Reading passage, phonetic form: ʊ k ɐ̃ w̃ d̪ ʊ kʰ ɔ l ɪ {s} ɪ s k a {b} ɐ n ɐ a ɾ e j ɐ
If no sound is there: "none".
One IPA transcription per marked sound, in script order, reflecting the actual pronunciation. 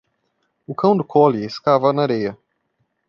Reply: none, v

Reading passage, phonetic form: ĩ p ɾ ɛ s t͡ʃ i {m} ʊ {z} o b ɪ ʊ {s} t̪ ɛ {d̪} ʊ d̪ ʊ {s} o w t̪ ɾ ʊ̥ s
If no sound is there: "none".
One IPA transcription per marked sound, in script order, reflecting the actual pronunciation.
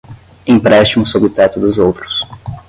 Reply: m, s, none, t̪, z

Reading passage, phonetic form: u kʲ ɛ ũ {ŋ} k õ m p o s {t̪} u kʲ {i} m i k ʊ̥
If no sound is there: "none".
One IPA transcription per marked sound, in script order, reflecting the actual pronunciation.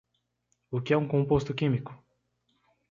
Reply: ŋ, t̪, i

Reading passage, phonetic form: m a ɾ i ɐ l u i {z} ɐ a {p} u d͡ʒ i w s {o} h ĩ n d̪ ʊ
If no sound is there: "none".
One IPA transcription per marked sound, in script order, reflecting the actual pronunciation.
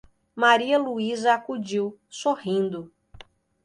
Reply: z, k, o

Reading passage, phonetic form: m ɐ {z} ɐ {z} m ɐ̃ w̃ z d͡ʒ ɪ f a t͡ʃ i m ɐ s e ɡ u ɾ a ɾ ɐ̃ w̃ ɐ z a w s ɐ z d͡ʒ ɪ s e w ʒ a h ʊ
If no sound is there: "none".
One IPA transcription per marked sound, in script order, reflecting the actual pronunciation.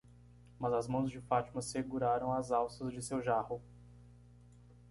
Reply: z, z

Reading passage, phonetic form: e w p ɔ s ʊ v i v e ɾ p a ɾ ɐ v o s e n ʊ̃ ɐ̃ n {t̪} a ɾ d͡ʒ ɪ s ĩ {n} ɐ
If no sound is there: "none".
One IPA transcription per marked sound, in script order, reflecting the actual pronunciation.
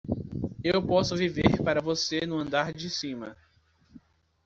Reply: d̪, m

